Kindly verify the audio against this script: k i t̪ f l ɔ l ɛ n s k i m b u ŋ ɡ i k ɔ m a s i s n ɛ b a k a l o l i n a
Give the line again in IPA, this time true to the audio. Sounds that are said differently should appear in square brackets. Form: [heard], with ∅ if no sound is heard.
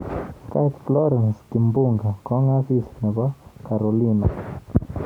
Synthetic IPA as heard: k [a] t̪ f l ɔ [ɾ] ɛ n s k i m b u ŋ ɡ [a] k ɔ [ŋ] a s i s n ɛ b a k a [ɾ] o l i n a